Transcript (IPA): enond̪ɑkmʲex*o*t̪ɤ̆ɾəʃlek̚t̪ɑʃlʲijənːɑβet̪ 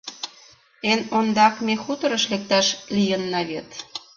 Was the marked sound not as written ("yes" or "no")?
yes